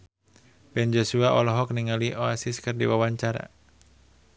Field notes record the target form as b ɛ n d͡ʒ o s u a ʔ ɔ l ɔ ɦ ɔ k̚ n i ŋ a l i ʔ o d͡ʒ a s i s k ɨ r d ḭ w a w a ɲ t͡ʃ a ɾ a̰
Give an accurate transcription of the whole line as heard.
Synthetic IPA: b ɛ n d͡ʒ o s u a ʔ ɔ l ɔ ɦ ɔ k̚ n i ŋ a l i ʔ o a s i s k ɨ r d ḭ w a w a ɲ t͡ʃ a ɾ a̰